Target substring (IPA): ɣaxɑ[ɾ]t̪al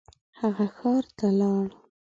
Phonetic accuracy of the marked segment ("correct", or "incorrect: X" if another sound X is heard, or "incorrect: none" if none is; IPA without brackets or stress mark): correct